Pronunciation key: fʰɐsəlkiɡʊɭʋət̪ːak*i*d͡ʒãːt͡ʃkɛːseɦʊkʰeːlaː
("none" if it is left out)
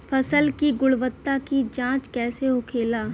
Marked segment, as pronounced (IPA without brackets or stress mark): i